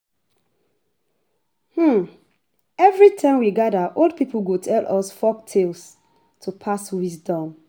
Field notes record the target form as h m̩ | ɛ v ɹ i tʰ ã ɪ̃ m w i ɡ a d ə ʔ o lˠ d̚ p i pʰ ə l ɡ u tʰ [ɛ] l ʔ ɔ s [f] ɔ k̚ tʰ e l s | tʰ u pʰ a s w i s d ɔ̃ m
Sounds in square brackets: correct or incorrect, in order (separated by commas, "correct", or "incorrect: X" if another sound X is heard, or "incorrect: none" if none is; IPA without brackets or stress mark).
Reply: correct, correct